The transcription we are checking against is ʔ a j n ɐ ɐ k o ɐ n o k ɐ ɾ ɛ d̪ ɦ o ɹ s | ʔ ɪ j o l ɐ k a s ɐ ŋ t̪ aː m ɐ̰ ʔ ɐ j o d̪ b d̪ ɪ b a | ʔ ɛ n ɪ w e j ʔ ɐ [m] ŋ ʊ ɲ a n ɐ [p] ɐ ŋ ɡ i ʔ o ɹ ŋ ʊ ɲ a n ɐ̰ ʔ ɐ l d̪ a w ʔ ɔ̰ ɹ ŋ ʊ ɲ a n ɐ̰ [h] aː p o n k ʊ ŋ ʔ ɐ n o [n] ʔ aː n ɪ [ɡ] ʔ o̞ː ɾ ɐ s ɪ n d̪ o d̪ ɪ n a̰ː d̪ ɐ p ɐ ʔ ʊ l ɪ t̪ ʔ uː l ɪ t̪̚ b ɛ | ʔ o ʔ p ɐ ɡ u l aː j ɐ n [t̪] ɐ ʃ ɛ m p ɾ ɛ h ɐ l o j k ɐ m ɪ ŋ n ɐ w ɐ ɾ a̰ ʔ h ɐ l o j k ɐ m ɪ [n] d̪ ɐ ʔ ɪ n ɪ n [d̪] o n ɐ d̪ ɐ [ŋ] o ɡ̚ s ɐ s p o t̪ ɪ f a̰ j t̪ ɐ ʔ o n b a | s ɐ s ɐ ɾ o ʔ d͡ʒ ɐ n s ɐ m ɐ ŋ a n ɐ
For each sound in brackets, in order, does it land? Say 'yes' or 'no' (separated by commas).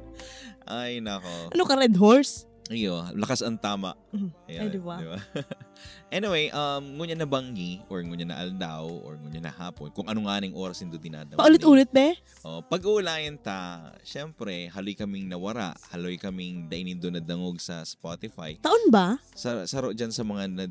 yes, no, yes, no, no, yes, no, yes, yes